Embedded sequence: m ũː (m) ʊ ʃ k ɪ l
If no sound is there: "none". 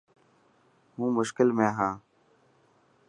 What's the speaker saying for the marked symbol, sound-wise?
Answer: m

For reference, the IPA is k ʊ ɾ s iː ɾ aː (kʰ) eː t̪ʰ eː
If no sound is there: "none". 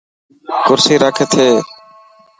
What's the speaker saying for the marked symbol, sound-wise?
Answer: kʰ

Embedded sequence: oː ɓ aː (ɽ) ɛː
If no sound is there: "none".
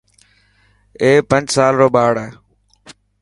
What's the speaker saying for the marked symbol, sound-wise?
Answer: ɽ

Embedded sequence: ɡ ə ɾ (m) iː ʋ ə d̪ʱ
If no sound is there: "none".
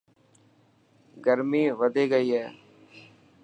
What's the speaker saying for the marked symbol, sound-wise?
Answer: m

